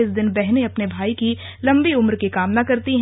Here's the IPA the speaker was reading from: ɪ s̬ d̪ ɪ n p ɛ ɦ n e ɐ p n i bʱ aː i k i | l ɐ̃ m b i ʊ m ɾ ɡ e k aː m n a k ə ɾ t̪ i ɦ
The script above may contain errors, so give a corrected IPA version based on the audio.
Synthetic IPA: ɪ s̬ d̪ ɪ n b ɛ ɦ n e ɐ p n e bʱ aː i k i | l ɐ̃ m b i ʊ m ɾ k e k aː m n a k ɐ ɾ t̪ i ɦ